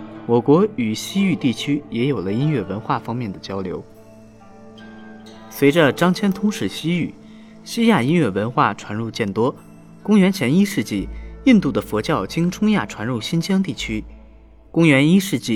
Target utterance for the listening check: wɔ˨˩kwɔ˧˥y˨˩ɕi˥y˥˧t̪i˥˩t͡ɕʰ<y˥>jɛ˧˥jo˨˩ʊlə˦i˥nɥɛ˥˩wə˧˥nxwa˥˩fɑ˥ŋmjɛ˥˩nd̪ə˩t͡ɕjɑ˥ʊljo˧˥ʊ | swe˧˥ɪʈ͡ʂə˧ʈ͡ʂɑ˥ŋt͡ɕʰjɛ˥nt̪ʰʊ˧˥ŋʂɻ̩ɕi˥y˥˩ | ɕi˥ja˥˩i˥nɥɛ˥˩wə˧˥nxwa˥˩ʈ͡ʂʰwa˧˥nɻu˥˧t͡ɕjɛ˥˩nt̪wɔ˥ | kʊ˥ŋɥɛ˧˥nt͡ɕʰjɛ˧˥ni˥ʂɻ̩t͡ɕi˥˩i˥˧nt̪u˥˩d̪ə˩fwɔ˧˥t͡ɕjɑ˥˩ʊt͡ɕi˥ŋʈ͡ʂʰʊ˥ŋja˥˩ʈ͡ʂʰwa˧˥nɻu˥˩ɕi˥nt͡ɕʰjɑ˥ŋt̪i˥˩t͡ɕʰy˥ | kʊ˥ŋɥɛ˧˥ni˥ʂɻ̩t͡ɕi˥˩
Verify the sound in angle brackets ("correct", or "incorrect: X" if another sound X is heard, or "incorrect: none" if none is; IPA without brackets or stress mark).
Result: correct